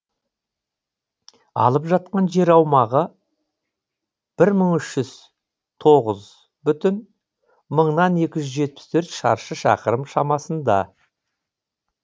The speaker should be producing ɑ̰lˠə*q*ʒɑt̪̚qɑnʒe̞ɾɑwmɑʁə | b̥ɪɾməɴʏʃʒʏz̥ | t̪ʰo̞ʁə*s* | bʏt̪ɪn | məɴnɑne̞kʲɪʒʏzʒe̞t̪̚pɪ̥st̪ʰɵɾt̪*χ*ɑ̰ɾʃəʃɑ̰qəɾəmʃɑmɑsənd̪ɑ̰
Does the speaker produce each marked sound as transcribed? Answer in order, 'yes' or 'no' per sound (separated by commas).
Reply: no, no, no